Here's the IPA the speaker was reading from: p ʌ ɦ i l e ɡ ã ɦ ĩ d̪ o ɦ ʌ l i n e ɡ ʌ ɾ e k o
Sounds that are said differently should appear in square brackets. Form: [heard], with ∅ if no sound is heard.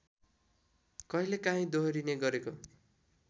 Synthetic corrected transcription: [k] ʌ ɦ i l e [k] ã ɦ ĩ d̪ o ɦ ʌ [ɾ] i n e ɡ ʌ ɾ e k o